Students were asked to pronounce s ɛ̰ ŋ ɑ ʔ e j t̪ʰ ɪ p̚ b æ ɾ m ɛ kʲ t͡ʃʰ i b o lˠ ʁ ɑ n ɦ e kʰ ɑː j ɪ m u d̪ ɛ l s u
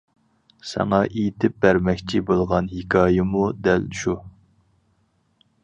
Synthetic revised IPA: s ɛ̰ ŋ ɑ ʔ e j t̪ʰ ɪ p̚ b æ ɾ m ɛ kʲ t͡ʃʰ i b o lˠ ʁ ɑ n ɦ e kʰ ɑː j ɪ m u d̪ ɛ l ʃ u